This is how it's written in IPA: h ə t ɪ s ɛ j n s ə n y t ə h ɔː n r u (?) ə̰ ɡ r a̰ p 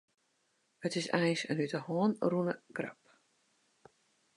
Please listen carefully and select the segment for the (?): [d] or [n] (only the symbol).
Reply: n